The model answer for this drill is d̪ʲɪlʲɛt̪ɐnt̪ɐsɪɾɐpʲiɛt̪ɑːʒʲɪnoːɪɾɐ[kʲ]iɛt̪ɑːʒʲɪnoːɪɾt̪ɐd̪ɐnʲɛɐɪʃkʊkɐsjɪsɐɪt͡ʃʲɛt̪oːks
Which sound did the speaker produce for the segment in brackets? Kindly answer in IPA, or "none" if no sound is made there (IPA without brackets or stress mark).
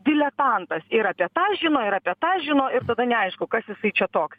pʲ